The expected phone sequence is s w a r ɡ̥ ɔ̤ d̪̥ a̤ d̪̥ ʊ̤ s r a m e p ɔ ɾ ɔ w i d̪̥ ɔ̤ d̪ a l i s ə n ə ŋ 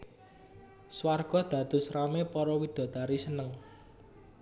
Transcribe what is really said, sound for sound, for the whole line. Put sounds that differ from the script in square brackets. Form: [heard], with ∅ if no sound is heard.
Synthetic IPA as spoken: s w a r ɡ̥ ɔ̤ d̪̥ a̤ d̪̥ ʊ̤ s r a m e p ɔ ɾ ɔ w i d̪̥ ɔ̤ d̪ a [ɾ] i s ə n ə ŋ